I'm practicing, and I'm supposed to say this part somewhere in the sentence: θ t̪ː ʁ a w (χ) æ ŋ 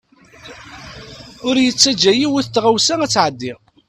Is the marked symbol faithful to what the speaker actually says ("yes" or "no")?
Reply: no